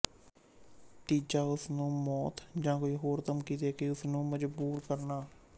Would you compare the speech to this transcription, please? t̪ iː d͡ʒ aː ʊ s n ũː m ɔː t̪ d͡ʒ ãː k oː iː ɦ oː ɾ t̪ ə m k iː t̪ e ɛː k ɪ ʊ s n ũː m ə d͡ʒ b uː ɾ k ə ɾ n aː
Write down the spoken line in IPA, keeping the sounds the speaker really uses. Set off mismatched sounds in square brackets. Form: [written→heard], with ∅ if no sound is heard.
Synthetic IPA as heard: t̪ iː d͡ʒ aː ʊ s n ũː m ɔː t̪ d͡ʒ ãː k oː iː ɦ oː ɾ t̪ ə m k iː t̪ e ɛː k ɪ ʊ s n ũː m ə d͡ʒ b uː ɾ k ə ɾ n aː